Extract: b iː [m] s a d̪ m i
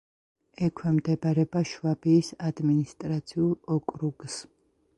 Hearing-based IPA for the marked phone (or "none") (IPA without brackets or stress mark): none